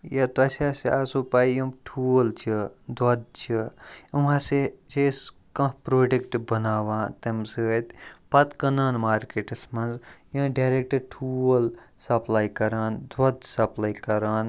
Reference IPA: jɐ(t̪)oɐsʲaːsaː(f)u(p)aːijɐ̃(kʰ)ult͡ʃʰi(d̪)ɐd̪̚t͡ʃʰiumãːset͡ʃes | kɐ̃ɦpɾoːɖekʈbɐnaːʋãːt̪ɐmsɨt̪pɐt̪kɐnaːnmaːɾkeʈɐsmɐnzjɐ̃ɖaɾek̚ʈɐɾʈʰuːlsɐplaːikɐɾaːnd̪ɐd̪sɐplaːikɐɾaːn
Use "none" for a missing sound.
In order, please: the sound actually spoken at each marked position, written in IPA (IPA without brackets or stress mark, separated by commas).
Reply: t̪, s, p, ʈʰ, d̪